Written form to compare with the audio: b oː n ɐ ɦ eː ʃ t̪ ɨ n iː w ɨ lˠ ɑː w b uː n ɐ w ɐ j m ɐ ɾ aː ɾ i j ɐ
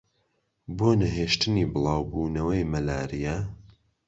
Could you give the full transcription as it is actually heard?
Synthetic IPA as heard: b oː n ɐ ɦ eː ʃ t̪ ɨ n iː b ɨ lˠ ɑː w b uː n ɐ w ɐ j m ɐ l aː ɾ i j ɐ